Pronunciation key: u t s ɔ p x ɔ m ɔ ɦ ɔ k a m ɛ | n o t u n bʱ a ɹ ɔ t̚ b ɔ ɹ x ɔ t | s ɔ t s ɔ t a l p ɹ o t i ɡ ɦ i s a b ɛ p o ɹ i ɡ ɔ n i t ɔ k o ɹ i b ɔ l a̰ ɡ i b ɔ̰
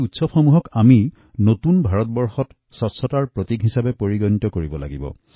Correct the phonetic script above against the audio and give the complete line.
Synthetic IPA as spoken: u t s ɔ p x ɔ m u ɦ ɔ k a m i | n o t u n bʱ a ɹ ɔ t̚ b ɔ ɹ x ɔ t | s ɔ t s ɔ t a ɹ p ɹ o t i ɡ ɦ i s a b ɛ p o ɹ i ɡ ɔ n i t ɔ k o ɹ i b ɔ l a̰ ɡ i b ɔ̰